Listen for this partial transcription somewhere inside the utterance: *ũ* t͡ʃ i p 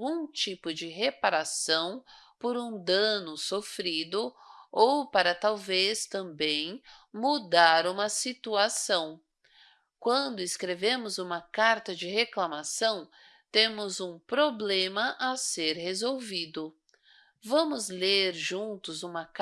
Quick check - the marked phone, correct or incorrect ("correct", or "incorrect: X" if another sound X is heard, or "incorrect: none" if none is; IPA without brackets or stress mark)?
correct